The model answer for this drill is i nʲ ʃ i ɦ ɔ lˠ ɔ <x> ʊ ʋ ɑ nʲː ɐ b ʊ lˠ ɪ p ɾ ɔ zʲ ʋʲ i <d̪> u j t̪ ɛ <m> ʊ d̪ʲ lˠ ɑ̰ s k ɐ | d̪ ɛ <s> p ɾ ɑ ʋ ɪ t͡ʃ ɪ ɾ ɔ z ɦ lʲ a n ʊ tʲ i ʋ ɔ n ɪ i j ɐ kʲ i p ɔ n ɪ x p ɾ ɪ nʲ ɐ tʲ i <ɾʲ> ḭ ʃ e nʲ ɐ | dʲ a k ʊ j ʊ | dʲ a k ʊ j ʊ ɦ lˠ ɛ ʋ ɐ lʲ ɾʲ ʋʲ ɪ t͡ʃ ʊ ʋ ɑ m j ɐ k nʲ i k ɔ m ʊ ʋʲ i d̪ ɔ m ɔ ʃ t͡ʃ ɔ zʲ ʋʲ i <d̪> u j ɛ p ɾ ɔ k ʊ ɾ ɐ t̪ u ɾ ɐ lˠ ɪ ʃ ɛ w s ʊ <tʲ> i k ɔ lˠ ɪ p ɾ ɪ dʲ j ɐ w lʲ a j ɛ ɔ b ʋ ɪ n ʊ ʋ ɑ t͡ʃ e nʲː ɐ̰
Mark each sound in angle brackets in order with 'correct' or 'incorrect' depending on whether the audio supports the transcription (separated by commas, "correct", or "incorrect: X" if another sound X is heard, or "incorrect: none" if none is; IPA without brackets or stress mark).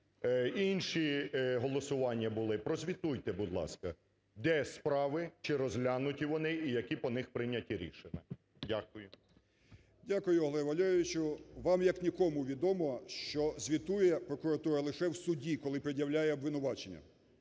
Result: incorrect: s, incorrect: t̪, incorrect: b, correct, correct, incorrect: t̪, incorrect: dʲ